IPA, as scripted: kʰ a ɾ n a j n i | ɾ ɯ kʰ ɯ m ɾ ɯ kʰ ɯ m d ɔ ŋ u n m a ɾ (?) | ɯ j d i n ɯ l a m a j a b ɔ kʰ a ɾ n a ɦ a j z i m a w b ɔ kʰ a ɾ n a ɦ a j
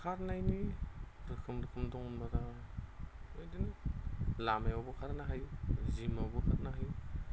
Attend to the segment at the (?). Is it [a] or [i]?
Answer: a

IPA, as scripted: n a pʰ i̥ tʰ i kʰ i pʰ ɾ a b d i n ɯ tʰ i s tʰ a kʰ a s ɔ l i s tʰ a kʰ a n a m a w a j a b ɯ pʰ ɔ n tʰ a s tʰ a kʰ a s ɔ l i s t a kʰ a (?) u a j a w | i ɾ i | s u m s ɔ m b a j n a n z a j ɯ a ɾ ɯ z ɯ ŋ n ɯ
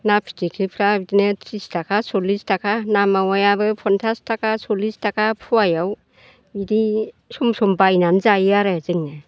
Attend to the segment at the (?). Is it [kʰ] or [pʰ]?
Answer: pʰ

